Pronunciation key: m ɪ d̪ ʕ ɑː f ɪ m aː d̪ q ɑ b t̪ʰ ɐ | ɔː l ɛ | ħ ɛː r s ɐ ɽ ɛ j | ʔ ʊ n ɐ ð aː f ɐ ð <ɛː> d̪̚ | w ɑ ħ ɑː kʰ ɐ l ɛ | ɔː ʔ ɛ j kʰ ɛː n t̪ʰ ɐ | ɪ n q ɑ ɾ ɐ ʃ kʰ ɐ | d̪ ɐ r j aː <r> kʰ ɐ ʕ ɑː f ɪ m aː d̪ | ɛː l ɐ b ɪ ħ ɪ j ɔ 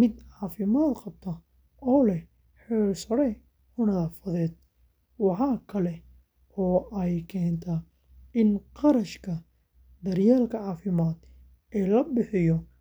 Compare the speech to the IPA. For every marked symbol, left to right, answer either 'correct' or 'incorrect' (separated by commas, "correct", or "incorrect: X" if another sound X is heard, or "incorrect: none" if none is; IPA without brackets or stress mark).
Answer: correct, incorrect: l